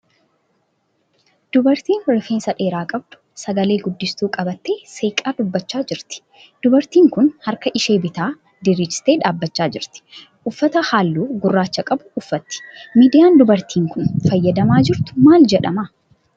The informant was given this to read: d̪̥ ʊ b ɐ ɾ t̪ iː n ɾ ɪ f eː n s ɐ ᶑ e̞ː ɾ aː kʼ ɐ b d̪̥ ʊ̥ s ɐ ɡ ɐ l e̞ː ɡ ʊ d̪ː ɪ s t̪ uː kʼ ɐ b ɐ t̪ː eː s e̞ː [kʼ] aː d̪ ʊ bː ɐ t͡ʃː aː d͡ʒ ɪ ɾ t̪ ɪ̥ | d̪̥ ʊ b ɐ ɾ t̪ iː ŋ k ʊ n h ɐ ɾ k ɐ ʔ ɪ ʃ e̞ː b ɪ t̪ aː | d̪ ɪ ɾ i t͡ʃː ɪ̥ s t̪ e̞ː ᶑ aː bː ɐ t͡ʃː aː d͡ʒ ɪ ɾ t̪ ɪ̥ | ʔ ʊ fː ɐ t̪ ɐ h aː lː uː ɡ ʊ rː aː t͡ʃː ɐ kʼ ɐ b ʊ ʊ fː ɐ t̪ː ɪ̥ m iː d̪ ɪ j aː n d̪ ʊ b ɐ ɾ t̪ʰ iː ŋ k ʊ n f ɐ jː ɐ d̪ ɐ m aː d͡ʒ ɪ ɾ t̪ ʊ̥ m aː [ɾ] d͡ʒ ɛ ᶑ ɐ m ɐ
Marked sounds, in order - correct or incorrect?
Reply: correct, incorrect: l

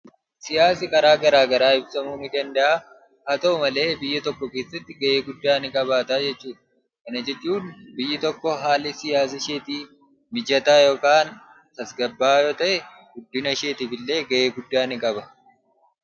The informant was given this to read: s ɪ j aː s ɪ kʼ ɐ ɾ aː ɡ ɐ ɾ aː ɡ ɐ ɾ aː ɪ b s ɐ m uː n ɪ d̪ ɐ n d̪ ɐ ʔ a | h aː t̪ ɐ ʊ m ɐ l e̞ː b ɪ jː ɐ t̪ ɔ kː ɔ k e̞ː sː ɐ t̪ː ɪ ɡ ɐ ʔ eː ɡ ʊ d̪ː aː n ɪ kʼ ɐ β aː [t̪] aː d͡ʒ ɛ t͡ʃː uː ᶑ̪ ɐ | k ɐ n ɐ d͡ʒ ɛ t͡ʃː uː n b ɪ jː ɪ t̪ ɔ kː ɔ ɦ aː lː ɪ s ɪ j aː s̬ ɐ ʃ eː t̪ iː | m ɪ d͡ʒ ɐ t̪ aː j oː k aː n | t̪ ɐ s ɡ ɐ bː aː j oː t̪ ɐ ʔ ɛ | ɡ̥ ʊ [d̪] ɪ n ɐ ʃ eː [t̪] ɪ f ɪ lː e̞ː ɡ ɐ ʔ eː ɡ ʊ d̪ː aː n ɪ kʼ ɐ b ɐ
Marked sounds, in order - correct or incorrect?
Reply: correct, incorrect: d̪ː, correct

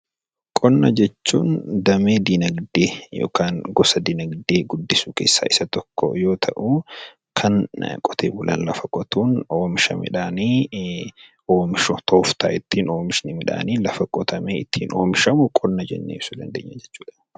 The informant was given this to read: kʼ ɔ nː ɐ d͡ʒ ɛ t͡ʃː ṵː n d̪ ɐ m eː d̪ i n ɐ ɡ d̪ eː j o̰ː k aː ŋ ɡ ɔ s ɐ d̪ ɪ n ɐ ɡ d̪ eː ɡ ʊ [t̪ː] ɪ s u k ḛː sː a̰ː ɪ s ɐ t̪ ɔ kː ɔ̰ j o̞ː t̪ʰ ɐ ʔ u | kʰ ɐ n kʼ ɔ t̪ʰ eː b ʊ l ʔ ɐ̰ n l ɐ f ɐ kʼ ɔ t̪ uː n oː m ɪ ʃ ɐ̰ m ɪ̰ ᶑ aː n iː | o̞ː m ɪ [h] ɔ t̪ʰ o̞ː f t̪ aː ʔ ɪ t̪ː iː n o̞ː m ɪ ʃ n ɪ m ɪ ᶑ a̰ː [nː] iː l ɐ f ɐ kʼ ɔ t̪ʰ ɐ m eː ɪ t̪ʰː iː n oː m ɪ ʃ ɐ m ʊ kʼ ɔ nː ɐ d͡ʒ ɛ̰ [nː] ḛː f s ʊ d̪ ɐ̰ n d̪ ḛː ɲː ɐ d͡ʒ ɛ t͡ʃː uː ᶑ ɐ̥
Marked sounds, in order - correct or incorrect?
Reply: incorrect: d̪ː, incorrect: ʃ, incorrect: n, correct

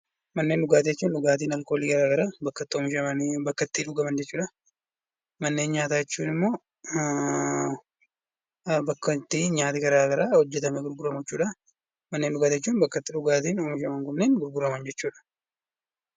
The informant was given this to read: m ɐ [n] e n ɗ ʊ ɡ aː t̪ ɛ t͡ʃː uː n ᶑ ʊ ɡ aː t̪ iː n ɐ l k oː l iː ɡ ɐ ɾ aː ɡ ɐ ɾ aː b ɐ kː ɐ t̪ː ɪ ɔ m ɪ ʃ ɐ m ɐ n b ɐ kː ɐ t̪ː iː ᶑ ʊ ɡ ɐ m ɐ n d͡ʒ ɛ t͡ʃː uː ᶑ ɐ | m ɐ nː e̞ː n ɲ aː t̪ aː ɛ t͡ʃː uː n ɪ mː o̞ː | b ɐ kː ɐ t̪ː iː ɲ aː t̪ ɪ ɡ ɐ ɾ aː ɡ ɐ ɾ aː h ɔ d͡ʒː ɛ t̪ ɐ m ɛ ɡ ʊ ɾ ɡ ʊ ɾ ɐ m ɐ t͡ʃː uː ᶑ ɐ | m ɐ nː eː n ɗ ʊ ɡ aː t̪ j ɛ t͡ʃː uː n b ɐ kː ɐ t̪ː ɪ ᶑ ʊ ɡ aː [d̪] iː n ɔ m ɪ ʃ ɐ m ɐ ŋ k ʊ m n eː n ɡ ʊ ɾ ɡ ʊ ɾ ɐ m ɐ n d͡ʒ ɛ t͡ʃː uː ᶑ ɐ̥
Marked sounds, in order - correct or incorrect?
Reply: incorrect: nː, incorrect: t̪

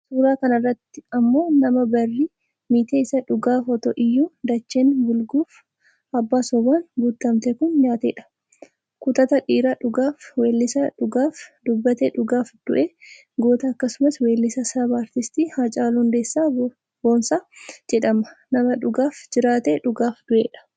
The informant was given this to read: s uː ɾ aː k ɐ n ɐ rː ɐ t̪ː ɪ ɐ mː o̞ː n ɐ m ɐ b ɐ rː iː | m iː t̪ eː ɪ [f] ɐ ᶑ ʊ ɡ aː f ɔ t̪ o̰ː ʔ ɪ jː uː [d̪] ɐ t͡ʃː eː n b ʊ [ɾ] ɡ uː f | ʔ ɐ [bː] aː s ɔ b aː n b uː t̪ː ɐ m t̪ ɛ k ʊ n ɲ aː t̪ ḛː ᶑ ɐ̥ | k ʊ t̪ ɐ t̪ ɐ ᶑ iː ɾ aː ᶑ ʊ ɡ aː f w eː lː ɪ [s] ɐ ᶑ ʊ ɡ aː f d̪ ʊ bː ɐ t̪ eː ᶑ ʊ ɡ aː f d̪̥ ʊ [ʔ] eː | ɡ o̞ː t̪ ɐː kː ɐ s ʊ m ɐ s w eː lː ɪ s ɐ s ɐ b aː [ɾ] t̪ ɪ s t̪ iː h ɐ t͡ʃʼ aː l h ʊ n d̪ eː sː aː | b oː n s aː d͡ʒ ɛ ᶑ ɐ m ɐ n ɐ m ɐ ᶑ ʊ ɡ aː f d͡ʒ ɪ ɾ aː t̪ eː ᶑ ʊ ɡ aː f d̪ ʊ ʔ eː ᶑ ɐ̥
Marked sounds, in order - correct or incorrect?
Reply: incorrect: s, correct, incorrect: l, correct, correct, correct, correct

